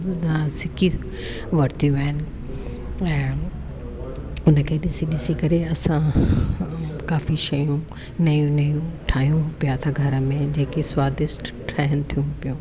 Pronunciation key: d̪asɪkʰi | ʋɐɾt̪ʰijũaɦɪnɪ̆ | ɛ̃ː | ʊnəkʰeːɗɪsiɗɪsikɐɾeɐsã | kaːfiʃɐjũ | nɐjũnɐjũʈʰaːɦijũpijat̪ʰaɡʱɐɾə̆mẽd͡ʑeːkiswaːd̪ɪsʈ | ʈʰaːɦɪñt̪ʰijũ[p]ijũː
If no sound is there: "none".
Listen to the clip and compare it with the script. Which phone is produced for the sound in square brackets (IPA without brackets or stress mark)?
p